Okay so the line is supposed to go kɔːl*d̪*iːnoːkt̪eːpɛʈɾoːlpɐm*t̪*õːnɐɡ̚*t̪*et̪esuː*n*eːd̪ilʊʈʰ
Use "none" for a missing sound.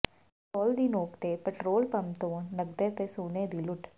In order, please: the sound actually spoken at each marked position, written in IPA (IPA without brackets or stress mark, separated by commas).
d̪, t̪, d̪, n